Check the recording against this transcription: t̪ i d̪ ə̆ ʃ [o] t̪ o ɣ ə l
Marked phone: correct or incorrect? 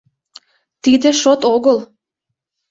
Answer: correct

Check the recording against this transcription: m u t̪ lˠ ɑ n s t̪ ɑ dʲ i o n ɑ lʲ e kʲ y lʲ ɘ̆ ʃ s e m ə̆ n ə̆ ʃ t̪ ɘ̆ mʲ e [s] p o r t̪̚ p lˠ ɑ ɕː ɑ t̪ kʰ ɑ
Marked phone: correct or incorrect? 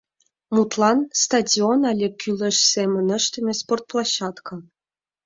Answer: correct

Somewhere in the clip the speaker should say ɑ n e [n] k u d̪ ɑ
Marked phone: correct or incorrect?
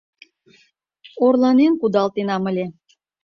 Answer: correct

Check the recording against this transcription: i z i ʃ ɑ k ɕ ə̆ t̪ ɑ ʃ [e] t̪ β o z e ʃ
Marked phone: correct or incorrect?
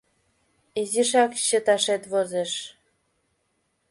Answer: correct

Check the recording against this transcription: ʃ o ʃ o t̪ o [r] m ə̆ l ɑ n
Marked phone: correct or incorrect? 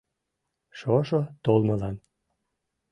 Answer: incorrect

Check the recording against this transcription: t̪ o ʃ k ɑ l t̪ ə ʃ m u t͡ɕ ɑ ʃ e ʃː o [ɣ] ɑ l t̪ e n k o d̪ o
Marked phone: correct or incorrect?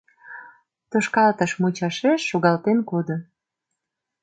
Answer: correct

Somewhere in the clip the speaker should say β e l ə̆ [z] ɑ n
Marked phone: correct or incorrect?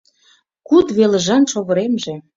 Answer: incorrect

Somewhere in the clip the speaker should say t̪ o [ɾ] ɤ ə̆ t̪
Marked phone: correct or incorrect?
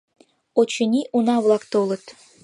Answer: incorrect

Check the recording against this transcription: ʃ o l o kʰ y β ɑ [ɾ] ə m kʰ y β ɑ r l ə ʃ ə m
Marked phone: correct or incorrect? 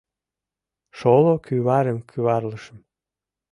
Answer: correct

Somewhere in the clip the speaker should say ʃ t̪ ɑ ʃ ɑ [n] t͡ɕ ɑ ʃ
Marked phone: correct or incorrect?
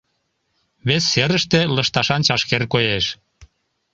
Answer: correct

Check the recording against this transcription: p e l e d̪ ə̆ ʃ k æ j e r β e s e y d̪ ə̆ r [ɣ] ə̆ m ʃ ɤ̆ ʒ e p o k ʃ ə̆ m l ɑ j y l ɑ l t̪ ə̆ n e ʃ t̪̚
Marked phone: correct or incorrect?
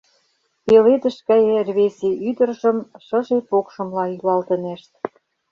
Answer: incorrect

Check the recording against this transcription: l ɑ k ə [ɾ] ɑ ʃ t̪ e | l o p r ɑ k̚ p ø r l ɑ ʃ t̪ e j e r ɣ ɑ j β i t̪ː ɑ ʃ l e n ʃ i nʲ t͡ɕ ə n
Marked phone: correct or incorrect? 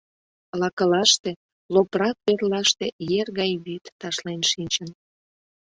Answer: incorrect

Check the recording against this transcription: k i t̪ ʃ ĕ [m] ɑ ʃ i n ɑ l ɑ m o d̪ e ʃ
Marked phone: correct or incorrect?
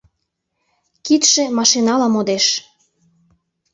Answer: correct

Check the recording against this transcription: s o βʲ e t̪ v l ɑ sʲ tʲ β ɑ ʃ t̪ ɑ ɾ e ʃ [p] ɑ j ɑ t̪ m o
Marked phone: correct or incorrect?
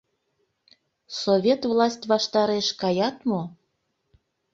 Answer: incorrect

